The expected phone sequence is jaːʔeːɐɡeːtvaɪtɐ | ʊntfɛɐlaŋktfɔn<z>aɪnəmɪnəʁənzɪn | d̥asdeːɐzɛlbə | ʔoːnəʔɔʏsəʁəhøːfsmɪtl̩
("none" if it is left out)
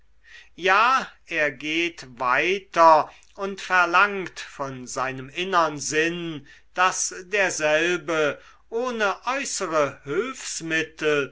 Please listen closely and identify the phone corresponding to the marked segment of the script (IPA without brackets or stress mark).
z